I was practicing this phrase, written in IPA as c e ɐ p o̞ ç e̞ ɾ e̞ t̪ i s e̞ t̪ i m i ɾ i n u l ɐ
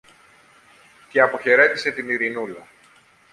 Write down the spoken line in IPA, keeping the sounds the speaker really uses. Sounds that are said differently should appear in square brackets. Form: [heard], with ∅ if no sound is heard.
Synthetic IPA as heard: c e ɐ p o̞ ç e̞ ɾ e̞ t̪ i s e̞ t̪ i [n] i ɾ i n u l ɐ